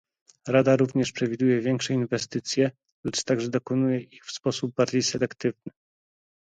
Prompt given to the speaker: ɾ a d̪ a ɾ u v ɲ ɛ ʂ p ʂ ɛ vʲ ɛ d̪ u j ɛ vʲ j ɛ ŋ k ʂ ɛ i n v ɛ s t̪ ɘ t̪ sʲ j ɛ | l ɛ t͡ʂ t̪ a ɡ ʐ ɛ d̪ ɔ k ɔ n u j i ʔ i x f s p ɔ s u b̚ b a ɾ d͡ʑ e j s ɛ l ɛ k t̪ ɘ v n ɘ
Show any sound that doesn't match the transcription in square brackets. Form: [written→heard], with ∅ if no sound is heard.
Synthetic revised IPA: ɾ a d̪ a ɾ u v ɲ ɛ ʂ p ʂ ɛ vʲ [ɛ→i] d̪ u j ɛ vʲ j ɛ ŋ k ʂ ɛ i n v ɛ s t̪ ɘ t̪ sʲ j ɛ | l ɛ t͡ʂ t̪ a ɡ ʐ ɛ d̪ ɔ k ɔ n u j [i→ɛ] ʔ i x f s p ɔ s u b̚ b a ɾ d͡ʑ e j s ɛ l ɛ k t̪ ɘ v n ɘ